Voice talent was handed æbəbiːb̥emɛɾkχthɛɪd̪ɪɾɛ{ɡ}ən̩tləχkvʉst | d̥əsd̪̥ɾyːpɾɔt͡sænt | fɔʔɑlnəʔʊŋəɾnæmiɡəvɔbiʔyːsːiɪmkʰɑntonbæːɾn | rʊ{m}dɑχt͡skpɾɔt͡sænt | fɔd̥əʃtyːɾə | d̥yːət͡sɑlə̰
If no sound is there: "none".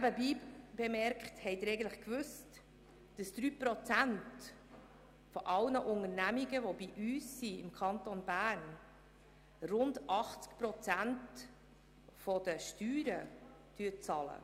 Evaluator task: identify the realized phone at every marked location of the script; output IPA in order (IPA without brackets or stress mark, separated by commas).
ɡ, n